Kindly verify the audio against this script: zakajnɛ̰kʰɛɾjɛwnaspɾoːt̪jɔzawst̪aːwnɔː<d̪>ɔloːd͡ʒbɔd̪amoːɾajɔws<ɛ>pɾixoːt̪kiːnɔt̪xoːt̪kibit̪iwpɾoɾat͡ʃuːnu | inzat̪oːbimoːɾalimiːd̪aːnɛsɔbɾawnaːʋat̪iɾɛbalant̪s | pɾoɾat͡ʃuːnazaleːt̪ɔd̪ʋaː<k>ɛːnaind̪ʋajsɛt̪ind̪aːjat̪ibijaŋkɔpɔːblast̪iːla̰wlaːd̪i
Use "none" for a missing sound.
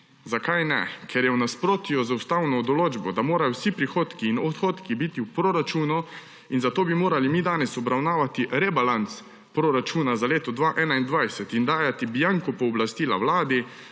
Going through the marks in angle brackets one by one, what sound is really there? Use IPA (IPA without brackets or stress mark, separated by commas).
d̪, i, ʔ